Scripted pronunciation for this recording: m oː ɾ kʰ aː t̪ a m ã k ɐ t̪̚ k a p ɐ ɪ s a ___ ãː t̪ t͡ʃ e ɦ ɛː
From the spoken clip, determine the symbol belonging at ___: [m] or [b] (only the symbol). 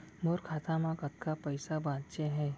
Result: b